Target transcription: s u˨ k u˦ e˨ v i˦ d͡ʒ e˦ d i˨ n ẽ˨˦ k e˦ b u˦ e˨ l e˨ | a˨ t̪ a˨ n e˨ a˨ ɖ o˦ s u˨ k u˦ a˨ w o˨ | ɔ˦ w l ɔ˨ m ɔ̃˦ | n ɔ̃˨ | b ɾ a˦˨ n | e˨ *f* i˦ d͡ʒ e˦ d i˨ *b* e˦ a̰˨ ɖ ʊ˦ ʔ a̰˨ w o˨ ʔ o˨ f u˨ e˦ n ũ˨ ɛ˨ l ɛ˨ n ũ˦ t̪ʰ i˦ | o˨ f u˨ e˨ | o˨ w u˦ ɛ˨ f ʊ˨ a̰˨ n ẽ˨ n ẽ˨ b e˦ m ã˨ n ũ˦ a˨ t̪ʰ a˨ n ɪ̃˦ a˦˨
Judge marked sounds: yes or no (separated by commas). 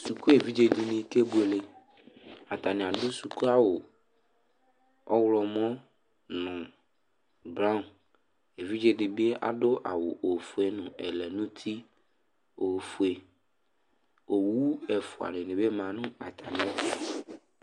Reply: no, yes